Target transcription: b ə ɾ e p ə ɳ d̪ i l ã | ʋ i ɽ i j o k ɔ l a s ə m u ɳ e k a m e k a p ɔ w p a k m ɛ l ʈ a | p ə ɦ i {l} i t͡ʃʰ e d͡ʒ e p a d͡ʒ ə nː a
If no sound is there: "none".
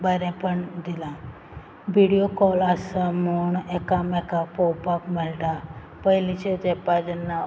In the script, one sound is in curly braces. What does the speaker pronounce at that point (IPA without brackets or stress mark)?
l